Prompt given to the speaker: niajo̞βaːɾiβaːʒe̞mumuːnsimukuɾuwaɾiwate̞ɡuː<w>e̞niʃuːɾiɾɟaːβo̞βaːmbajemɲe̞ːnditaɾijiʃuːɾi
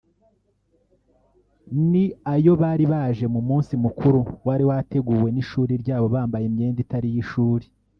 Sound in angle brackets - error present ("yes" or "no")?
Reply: no